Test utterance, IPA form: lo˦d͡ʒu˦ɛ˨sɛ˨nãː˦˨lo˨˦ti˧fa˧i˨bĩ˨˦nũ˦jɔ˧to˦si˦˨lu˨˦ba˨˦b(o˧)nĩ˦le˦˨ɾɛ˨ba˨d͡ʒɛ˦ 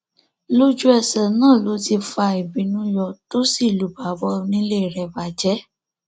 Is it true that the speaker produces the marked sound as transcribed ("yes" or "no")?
no